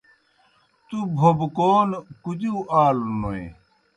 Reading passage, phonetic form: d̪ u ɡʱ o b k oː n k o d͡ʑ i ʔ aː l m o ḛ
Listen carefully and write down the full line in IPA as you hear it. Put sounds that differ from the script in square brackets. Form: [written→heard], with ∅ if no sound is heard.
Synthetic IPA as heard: [d̪→t̪] u [ɡʱ→bʱ] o b k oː n k [o→u] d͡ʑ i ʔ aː l [m→n] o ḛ